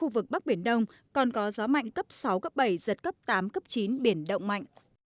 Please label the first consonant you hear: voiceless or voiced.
voiced